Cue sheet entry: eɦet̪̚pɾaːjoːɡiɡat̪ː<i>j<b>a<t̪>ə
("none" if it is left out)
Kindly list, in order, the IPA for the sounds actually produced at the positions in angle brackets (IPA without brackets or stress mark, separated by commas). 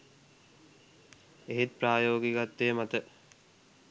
e, m, t̪